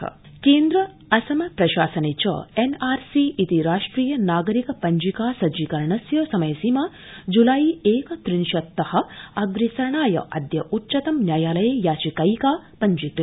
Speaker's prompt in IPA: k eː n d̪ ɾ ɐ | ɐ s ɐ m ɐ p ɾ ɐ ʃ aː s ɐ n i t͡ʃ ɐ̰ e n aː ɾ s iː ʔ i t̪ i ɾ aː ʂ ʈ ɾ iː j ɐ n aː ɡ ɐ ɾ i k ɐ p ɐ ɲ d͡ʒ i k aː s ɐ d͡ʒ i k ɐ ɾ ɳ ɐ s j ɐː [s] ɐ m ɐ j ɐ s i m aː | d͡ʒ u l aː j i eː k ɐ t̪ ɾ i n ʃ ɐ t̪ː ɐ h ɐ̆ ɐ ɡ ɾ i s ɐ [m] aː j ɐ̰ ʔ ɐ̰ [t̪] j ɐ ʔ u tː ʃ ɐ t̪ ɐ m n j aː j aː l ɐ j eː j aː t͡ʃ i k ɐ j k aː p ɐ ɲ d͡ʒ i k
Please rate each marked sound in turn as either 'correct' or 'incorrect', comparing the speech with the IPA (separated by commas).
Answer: correct, incorrect, incorrect